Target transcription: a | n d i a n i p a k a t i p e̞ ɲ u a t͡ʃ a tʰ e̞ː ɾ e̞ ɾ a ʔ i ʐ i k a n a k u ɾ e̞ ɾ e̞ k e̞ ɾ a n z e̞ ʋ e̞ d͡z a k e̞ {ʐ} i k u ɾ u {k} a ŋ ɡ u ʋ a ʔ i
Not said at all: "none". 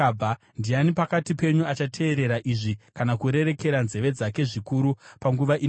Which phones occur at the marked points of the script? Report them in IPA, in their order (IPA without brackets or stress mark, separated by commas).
ʐ, p